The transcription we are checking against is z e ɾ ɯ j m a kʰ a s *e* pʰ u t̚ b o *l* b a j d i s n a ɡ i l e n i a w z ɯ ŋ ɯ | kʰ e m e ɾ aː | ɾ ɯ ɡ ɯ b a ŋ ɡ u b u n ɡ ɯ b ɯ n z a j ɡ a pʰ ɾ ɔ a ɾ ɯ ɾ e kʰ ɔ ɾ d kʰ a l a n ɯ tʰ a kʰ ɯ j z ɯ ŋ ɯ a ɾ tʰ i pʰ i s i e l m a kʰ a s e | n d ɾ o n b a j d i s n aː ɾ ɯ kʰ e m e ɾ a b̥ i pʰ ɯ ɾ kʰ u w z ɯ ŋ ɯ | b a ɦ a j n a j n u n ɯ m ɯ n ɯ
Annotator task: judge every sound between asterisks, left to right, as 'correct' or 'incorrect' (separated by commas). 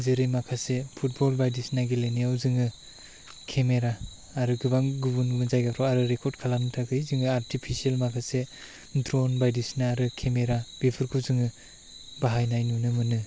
correct, correct